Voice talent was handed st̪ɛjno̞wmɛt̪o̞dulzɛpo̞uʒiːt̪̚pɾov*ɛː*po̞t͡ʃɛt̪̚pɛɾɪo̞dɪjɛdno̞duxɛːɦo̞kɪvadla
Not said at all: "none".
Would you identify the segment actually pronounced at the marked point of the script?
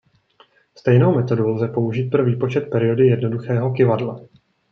iː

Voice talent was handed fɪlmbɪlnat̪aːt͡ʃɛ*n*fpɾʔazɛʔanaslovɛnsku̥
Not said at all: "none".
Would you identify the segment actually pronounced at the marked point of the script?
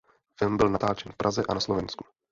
n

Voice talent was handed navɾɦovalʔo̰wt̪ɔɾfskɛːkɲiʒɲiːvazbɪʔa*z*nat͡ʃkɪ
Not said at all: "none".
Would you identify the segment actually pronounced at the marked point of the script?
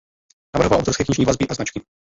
z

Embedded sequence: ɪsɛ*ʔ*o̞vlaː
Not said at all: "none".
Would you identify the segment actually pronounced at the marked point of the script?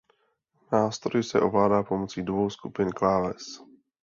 ʔ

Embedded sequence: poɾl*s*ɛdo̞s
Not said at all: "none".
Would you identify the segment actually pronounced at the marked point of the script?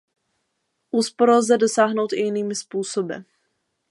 z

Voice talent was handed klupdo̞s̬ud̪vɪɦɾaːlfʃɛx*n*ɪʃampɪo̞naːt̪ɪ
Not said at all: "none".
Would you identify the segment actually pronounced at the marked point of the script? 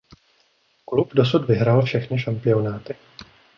n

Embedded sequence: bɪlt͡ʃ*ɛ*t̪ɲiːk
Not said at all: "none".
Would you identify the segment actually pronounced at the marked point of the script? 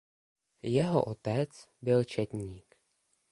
ɛ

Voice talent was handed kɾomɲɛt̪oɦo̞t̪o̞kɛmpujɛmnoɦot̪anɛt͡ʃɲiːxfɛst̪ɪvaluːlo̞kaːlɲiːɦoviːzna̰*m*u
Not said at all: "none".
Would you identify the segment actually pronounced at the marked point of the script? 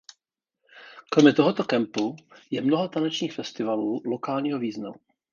m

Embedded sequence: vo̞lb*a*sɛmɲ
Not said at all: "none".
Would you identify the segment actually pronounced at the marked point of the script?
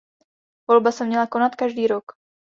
a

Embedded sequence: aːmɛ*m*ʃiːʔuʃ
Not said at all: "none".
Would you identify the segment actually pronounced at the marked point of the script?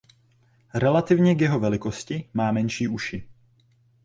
n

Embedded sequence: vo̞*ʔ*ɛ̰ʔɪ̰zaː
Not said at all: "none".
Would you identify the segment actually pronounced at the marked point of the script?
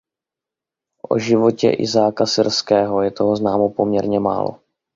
c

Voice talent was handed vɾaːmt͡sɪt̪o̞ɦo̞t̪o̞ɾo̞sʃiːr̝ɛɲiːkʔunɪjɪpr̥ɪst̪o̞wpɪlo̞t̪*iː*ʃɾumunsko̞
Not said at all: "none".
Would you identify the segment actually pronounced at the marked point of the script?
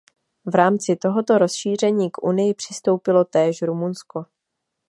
ɛː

